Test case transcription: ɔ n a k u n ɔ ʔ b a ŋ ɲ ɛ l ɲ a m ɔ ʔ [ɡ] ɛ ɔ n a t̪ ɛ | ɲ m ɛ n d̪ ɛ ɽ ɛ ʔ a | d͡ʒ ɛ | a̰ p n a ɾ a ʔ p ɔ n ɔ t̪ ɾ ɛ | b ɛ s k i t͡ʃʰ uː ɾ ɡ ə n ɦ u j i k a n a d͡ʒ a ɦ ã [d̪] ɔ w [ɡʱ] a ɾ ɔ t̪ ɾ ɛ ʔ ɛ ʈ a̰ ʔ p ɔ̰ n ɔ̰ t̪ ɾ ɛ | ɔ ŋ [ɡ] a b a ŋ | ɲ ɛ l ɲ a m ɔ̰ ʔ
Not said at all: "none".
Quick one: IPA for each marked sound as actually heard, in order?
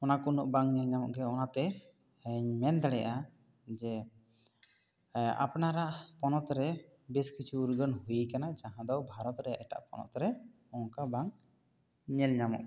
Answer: ɡ, d̪, bʱ, k

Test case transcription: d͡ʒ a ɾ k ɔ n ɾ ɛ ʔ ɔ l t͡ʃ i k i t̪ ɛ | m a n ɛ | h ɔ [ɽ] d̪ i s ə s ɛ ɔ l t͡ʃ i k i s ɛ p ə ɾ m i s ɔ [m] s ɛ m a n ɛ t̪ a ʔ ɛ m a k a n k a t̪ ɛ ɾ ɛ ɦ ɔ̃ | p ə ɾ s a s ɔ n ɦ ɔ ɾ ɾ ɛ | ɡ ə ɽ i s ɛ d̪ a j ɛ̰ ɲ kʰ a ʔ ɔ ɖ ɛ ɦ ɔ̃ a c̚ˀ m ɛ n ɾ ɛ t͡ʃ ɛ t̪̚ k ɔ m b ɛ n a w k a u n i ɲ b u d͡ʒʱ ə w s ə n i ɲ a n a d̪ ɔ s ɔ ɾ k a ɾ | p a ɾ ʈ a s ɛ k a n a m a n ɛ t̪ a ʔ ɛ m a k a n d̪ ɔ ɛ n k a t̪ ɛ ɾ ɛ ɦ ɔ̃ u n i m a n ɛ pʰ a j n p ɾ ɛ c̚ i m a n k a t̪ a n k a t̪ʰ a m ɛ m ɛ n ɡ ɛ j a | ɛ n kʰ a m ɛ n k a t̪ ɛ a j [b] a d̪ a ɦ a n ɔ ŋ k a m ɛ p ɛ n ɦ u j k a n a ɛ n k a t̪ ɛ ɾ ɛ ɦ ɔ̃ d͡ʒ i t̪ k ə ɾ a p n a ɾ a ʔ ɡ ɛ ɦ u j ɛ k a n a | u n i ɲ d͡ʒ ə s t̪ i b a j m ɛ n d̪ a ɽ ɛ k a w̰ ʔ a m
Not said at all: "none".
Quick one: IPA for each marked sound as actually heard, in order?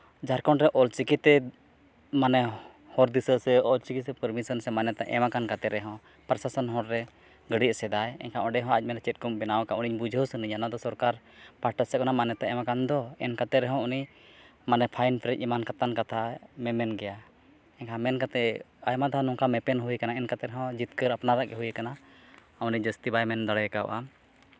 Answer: ɾ, n, m

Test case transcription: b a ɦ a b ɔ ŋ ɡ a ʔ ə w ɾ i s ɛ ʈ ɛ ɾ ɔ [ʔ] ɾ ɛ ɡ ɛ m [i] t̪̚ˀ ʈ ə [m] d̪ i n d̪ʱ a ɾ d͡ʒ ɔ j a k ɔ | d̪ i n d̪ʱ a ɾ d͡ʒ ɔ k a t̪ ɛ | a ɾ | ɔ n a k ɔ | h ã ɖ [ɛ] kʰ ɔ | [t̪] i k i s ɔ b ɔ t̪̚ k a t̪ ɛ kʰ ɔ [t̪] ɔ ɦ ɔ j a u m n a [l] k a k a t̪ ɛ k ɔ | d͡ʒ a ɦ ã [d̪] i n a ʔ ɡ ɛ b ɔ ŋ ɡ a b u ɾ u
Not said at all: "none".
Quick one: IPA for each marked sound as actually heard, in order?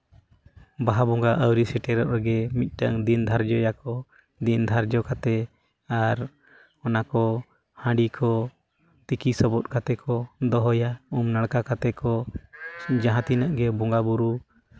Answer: ʔ, i, ŋ, i, t̪, d̪, ɽ, t̪

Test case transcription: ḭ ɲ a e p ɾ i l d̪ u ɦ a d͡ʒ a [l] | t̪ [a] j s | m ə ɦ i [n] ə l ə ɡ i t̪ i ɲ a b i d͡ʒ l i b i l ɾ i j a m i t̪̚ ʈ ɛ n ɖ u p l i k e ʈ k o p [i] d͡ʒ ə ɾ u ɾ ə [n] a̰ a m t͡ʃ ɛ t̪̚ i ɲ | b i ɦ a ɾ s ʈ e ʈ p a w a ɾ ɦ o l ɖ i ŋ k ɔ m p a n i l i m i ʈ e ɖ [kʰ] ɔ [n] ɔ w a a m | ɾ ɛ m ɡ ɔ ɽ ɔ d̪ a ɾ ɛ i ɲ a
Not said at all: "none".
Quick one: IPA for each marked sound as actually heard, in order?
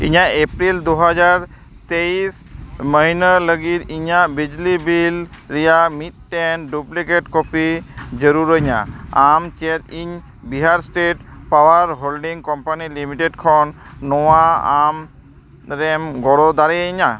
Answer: ɾ, e, n, i, ɲ, kʰ, nː

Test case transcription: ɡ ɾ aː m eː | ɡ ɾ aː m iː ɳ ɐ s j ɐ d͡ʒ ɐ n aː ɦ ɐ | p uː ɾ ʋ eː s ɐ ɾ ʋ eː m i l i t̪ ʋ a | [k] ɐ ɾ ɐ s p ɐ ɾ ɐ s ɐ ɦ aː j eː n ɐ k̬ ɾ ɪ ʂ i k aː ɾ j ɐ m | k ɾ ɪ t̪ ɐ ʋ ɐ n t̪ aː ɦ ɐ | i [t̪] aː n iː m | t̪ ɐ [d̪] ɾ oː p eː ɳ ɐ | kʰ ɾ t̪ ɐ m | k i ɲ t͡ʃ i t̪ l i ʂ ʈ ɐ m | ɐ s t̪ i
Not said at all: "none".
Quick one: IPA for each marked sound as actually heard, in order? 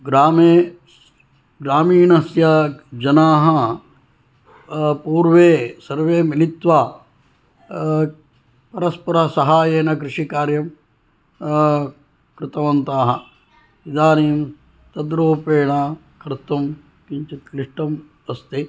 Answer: p, d̪, d̪

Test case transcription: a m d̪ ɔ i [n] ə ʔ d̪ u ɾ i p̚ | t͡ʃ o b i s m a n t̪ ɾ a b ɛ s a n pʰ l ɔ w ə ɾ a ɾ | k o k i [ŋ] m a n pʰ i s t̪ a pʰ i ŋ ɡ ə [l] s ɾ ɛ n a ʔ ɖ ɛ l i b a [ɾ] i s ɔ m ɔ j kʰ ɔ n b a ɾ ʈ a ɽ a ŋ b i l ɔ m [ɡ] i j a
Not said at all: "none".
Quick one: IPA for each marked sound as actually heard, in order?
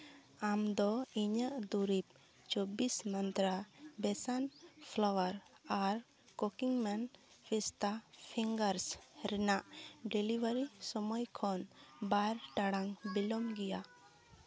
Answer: ɲ, ŋ, ɾ, ɾ, ɡ

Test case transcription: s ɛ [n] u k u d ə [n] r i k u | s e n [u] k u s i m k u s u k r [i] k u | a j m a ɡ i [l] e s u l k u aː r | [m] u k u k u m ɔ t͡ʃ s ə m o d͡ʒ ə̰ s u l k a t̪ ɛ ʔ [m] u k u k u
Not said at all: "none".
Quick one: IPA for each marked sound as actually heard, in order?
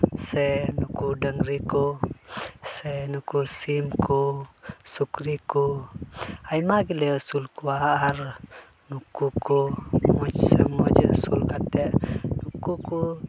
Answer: n, ŋ, u, i, l, n, n

